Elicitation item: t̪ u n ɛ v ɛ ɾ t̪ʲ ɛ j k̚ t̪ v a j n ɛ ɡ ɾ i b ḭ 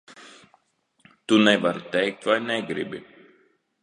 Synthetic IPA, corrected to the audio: t̪ u n ɛ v a ɾ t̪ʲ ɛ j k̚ t̪ v a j n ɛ ɡ ɾ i b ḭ